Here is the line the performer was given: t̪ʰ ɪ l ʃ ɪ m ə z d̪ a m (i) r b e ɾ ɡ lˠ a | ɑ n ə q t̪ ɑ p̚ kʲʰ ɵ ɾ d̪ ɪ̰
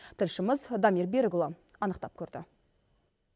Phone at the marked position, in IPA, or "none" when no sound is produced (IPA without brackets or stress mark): i